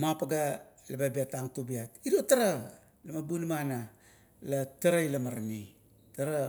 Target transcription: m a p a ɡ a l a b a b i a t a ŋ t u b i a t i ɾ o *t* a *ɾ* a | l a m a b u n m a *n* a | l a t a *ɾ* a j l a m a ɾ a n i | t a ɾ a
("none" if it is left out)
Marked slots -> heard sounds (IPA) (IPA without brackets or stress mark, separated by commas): t, ɾ, n, ɾ